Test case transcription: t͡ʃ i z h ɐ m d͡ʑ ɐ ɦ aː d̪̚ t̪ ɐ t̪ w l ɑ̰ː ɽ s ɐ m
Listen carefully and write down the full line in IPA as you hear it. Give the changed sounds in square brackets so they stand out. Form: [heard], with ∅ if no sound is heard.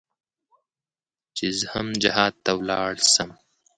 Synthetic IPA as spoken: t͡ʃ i z h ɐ m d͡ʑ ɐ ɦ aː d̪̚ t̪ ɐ [∅] w l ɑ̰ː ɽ s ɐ m